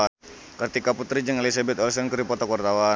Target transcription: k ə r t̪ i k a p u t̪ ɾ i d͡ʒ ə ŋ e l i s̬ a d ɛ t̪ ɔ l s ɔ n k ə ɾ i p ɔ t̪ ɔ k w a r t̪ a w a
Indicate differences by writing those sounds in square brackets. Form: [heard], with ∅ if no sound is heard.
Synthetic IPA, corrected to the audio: k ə r t̪ i k a p u t̪ ɾ i d͡ʒ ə ŋ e l i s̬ a [b] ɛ t̪ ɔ l s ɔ n k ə ɾ i p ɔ t̪ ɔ k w a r t̪ a w a